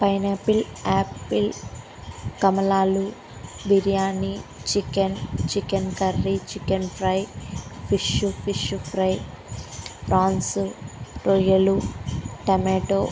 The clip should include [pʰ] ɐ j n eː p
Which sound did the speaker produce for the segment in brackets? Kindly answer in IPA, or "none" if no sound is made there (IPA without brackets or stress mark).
p